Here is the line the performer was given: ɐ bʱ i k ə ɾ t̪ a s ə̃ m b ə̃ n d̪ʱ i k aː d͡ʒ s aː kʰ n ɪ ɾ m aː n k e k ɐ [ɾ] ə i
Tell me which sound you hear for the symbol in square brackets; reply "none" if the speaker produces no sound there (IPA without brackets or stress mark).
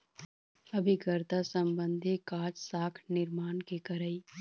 ɾ